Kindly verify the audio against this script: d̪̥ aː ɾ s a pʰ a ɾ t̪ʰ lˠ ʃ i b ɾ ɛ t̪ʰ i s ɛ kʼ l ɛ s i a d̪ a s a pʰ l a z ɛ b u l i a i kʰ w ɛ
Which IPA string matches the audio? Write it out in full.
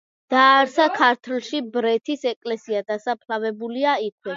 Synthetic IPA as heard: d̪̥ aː ɾ s a kʰ a ɾ t̪ʰ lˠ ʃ i b ɾ ɛ t̪ʰ i s ɛ kʼ l ɛ s i a d̪ a s a pʰ l a v ɛ b u l i a i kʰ w ɛ